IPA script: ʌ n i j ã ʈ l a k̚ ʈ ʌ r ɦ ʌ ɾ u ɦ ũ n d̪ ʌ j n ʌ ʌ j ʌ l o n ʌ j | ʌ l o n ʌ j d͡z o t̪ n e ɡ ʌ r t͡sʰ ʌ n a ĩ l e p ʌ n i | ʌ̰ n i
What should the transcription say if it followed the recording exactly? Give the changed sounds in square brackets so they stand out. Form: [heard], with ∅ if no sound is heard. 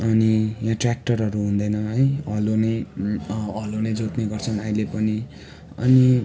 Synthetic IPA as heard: ʌ n i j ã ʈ [r] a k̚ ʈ ʌ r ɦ ʌ ɾ u ɦ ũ n d̪ ʌ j n ʌ ʌ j ʌ l o n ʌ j | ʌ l o n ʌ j d͡z o t̪ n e ɡ ʌ r t͡sʰ ʌ n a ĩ l e p ʌ n i | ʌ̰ n i